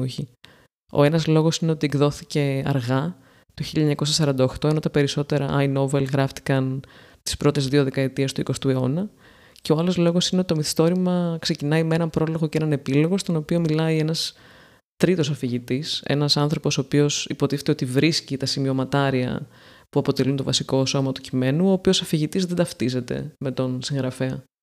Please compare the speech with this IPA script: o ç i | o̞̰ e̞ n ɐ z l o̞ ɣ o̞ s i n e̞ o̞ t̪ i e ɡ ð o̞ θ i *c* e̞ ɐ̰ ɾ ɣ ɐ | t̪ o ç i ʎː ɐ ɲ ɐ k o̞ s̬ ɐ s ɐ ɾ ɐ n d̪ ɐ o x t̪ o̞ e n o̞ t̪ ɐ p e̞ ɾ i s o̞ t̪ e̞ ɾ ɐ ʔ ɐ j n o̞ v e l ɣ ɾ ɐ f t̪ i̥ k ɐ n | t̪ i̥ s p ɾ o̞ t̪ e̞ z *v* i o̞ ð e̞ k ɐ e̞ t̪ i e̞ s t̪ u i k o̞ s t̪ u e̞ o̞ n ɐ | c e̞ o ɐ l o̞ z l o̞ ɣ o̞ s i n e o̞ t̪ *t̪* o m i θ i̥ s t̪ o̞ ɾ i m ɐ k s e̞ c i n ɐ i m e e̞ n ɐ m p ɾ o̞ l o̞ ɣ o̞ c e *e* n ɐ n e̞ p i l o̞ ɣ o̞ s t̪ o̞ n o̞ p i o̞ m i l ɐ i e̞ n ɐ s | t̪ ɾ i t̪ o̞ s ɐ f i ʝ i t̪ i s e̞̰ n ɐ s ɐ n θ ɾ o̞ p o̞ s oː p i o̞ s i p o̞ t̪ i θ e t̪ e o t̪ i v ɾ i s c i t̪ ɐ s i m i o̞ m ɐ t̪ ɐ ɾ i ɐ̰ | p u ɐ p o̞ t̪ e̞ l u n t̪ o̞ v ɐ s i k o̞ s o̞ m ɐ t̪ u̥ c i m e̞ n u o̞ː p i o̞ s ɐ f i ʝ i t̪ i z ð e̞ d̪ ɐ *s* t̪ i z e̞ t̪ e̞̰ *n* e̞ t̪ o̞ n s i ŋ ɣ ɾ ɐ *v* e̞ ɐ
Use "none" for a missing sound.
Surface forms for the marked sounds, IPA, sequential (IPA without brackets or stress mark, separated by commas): c, ð, t̪, e, f, m, f